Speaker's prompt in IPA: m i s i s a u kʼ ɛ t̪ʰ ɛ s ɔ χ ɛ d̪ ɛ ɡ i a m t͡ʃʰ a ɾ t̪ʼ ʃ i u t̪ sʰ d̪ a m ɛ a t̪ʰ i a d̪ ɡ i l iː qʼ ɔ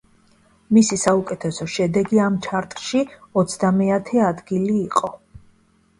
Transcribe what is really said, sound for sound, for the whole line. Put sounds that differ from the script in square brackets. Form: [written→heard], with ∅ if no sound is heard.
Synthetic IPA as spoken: m i s i s a u kʼ ɛ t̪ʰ ɛ s ɔ [χ→ʃ] ɛ d̪ ɛ ɡ i a m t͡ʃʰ a ɾ t̪ʼ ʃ i [u→ɔ] t̪ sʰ d̪ a m ɛ a t̪ʰ [i→ɛ] a d̪ ɡ i l iː qʼ ɔ